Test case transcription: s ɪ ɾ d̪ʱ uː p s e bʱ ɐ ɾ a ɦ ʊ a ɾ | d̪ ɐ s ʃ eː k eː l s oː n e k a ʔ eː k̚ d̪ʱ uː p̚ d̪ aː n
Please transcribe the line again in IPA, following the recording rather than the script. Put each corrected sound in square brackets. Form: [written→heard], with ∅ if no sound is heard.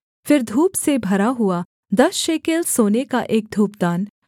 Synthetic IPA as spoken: [s→f] ɪ ɾ d̪ʱ uː p s e bʱ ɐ ɾ a ɦ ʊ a [ɾ→∅] | d̪ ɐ s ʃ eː k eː l s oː n e k a ʔ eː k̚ d̪ʱ uː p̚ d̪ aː n